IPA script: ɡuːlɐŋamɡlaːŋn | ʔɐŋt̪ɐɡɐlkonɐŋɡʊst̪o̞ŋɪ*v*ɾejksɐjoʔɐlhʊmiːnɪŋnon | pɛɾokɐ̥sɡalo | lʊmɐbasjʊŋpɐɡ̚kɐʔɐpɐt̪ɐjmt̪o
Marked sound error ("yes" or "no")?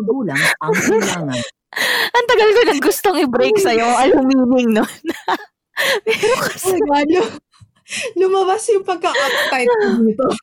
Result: yes